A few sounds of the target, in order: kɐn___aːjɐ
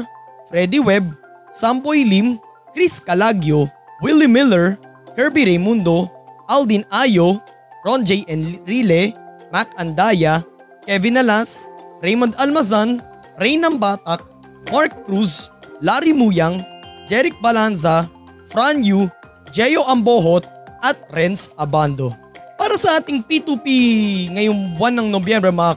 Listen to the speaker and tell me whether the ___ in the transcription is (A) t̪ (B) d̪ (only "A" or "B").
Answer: B